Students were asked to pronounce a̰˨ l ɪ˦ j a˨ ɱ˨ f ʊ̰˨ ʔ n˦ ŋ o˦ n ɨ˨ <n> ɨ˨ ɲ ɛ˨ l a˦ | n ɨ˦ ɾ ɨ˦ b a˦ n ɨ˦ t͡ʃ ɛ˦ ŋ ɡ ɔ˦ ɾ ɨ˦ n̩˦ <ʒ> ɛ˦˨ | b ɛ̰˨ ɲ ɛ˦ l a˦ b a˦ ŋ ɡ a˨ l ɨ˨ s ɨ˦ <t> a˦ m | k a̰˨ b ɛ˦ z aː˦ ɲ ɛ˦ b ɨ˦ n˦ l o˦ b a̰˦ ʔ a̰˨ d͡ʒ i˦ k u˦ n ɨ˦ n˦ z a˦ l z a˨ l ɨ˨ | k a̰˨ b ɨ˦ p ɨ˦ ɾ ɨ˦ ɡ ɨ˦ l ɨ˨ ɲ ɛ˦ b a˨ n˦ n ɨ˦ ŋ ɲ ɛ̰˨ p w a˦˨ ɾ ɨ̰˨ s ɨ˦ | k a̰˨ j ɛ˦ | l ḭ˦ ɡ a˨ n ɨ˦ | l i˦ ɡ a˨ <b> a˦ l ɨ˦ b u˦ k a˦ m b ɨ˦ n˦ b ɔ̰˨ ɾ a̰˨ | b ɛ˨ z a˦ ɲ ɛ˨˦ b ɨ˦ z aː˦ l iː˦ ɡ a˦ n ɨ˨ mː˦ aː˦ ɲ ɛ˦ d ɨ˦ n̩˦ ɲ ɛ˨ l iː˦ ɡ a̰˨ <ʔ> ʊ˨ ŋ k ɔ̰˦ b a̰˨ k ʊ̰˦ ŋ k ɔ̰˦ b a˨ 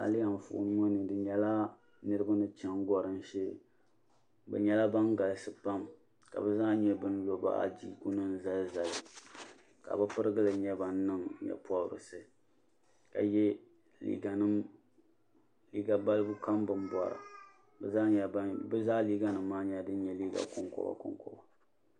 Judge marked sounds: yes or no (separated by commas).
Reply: no, no, no, yes, no